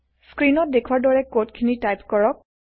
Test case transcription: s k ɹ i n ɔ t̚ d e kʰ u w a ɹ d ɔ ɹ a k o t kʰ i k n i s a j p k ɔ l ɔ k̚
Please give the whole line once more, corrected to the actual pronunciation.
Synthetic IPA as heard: s k ɹ i n ɔ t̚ d e kʰ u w a ɹ d ɔ ɹ ɛ k o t kʰ i n i t a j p k ɔ ɹ ɔ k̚